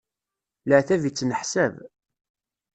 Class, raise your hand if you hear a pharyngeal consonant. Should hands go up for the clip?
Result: yes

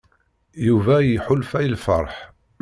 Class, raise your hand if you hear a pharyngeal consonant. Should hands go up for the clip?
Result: yes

